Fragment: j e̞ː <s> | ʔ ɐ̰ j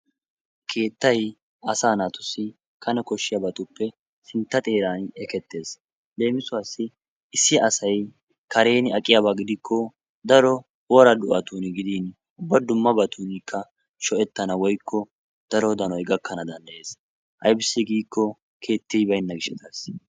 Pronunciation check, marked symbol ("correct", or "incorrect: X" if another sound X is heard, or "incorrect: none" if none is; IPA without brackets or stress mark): correct